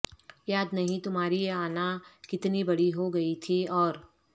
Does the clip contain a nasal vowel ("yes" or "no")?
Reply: yes